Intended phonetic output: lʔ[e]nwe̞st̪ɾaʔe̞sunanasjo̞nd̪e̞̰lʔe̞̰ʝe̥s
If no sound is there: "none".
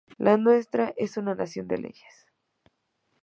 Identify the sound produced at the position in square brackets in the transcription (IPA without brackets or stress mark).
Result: a